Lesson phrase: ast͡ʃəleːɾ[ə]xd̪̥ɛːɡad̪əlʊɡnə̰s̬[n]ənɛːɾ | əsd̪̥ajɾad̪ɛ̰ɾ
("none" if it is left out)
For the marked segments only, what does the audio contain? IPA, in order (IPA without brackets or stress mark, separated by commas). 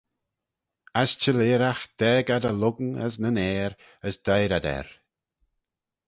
a, n